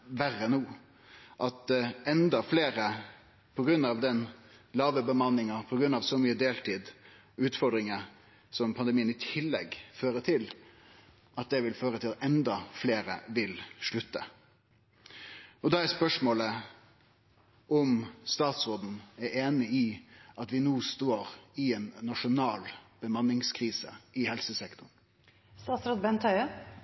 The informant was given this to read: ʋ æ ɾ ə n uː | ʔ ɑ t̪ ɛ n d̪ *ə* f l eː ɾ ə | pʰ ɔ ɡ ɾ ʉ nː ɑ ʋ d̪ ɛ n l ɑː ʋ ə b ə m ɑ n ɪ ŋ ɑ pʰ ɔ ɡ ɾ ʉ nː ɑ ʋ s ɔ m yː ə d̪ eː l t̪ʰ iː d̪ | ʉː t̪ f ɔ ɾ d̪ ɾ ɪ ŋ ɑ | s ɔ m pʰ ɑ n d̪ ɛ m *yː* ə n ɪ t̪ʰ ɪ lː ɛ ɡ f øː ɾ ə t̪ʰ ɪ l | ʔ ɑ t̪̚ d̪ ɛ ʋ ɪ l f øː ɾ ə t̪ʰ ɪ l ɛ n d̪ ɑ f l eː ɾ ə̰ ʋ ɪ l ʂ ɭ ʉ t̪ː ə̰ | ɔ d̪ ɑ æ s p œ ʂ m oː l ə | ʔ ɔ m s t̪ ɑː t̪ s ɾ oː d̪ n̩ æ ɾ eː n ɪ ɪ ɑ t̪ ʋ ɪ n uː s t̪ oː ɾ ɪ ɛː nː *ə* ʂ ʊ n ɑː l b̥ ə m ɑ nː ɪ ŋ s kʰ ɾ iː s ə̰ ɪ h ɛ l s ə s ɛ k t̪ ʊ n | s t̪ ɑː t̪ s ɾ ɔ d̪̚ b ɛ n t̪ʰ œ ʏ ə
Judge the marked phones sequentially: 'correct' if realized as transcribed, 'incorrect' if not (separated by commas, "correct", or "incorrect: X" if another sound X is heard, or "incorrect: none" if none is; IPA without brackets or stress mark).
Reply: incorrect: ɑ, incorrect: iː, incorrect: ɑ